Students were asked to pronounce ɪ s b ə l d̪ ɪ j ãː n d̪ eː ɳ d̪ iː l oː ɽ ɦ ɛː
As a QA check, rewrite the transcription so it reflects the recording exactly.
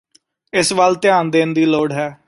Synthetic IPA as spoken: ɪ s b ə l t̪ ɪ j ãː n d̪ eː n d̪ iː l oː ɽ ɦ ɛː